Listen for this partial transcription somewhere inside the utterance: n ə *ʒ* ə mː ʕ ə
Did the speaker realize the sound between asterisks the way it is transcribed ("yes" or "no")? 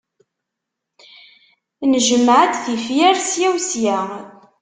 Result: yes